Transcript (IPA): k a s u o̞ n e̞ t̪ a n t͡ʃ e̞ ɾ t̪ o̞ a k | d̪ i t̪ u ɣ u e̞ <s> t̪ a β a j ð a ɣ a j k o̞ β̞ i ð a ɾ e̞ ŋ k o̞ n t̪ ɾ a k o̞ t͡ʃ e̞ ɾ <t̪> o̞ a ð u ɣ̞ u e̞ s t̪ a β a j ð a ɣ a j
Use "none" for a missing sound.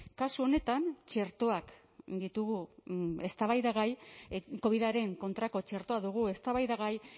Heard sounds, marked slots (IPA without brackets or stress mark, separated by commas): s, t̪